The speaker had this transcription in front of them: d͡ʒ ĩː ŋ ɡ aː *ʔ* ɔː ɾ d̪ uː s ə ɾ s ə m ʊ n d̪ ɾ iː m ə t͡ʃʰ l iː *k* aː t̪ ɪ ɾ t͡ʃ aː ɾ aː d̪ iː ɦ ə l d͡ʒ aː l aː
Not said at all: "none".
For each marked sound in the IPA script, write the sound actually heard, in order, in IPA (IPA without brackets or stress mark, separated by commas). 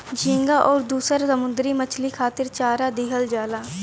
ʔ, kʰ